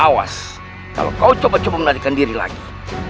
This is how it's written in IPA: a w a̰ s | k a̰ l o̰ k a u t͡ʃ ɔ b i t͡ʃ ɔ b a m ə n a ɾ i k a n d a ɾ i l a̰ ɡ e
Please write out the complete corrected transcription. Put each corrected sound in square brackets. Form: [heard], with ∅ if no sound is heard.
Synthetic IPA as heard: a w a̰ s | k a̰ l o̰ k a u t͡ʃ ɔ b [a] t͡ʃ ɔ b a m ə n a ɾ i k a n d [i] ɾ i l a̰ ɡ [i]